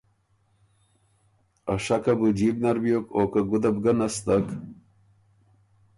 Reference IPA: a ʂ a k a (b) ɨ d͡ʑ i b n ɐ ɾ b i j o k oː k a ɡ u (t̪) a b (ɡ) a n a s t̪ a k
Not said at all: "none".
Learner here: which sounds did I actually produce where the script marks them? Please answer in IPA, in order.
b, d̪, ɡ

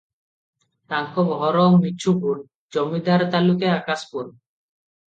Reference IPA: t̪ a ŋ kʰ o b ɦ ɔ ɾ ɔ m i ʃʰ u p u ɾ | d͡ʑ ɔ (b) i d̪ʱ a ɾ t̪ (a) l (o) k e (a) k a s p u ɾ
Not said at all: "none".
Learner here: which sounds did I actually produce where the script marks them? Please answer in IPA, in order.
m, a, u, a

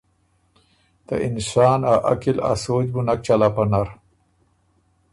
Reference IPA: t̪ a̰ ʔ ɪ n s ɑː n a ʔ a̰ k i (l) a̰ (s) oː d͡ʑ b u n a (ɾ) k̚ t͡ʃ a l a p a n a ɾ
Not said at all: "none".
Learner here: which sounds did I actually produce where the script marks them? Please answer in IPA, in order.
l, s, none

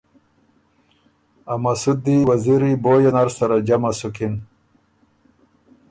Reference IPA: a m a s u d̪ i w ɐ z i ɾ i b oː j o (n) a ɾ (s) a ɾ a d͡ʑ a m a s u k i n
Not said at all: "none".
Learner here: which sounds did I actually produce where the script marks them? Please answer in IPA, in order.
n, s

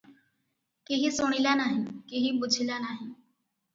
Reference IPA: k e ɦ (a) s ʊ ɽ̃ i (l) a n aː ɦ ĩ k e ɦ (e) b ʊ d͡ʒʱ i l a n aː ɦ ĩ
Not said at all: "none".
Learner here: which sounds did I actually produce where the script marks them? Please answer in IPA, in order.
i, l, i

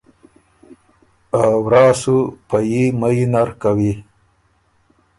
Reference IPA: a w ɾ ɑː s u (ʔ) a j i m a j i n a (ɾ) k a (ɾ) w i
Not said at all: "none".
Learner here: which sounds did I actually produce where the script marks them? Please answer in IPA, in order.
p, ɾ, none

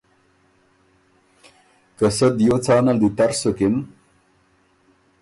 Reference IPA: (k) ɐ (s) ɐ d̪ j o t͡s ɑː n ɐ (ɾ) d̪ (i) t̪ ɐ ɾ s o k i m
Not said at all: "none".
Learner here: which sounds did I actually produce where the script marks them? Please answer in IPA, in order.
k, s, l, i

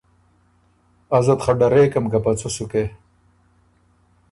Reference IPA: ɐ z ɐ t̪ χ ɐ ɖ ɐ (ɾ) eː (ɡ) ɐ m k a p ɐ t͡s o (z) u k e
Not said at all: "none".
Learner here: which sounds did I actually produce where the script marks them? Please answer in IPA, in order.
ɾ, k, s

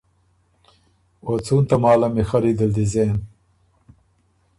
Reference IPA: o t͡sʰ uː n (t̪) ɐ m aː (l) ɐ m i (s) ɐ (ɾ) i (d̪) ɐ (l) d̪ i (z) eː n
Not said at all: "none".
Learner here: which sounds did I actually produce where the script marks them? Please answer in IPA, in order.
t̪, l, x, ɾ, d̪, l, z

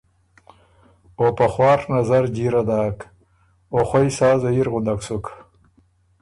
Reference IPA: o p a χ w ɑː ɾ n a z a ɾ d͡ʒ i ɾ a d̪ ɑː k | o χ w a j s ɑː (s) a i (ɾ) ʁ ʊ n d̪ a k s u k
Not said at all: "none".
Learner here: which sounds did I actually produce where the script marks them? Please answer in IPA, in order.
z, ɾ

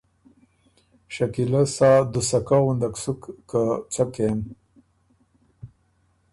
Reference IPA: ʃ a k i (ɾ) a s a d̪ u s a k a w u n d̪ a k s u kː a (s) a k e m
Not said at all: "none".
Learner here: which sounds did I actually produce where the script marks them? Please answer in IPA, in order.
l, t͡s

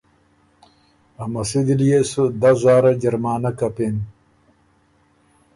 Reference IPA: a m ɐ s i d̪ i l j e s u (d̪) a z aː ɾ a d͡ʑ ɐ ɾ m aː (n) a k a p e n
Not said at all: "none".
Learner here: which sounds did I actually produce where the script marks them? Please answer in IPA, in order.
d̪, n

